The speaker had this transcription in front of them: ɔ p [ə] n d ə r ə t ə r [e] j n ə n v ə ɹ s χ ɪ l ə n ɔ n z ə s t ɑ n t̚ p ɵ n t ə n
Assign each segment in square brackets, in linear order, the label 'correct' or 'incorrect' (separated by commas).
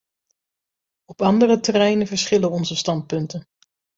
incorrect, incorrect